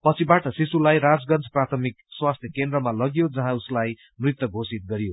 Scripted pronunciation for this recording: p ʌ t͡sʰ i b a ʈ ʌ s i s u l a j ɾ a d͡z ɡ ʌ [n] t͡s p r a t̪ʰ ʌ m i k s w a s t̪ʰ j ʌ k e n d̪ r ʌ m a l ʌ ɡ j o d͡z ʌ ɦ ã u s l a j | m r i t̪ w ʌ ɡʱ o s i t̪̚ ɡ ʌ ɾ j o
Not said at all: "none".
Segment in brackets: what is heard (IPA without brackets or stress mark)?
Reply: n